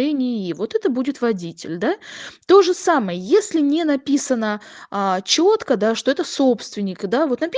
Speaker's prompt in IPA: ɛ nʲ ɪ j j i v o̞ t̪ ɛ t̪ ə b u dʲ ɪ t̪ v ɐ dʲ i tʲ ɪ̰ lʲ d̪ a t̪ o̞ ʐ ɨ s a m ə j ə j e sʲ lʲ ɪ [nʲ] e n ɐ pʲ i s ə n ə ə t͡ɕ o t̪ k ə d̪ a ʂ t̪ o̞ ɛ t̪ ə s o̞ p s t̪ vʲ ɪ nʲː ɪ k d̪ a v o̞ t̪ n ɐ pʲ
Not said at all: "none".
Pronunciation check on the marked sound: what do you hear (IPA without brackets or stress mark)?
nʲ